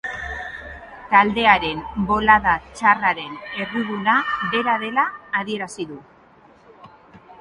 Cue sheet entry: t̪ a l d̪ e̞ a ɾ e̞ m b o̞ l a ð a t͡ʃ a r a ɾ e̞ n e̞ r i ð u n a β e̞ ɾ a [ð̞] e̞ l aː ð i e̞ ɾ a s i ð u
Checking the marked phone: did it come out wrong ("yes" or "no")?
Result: no